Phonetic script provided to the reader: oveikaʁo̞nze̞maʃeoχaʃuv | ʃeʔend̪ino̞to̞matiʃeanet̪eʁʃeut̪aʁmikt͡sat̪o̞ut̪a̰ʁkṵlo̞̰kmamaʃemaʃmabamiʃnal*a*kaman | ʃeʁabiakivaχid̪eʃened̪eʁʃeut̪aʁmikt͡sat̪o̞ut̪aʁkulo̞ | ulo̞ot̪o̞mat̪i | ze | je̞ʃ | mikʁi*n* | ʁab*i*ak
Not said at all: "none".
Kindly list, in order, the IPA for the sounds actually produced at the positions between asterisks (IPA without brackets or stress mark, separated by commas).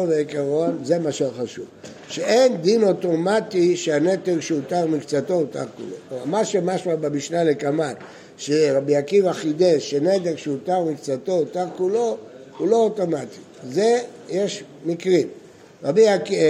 e, m, i